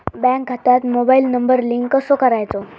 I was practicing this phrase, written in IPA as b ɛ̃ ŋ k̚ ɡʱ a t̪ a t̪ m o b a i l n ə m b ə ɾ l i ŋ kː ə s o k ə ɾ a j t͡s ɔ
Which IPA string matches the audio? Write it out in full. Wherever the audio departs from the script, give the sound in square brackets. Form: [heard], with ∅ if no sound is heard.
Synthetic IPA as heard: b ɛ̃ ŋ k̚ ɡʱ a t̪ a t̪ m o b a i l n ə m b ə ɾ l i ŋ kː ə s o k ə ɾ a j t͡s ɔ